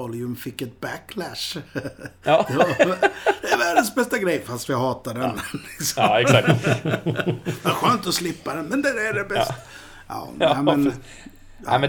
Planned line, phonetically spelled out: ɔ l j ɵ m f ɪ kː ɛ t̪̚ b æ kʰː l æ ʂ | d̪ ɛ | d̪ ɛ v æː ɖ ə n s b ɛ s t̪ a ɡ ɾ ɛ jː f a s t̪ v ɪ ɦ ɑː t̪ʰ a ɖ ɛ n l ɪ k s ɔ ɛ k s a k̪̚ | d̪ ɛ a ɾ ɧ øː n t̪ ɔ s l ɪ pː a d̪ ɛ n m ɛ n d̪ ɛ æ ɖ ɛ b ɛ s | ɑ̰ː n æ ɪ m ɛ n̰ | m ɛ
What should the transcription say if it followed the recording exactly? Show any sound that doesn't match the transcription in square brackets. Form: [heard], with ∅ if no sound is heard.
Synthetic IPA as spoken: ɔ l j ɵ m f ɪ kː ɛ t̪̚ b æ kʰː l æ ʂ | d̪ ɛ | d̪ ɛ v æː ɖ ə n s b ɛ s t̪ a ɡ ɾ ɛ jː f a s t̪ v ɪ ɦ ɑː [t̪] a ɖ ɛ n l ɪ k s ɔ ɛ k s a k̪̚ | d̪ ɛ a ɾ ɧ øː n t̪ ɔ s l ɪ pː a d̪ ɛ n m ɛ n d̪ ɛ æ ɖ ɛ b ɛ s | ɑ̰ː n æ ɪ m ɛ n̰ | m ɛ